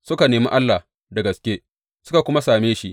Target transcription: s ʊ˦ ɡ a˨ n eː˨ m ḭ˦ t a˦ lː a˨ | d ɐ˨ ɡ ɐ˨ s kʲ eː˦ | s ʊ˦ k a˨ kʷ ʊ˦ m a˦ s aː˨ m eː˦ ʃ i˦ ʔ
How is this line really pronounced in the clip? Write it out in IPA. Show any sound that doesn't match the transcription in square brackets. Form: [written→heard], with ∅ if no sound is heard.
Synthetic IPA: s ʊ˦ [ɡ→k] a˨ n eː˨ m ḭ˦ [t→ʔ] a˦ lː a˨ | d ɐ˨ ɡ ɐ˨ s kʲ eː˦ | s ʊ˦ k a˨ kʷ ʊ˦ m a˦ s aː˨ m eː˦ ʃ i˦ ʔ